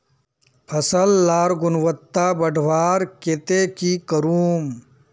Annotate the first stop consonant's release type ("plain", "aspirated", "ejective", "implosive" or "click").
aspirated